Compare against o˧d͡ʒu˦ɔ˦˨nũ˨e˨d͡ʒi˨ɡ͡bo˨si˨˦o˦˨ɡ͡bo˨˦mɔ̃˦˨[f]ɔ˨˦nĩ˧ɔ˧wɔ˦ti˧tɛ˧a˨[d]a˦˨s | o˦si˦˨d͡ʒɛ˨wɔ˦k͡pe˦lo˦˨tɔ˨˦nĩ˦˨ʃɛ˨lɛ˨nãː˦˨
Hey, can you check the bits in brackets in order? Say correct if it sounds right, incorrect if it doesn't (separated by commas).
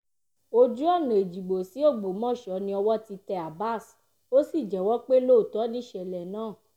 incorrect, incorrect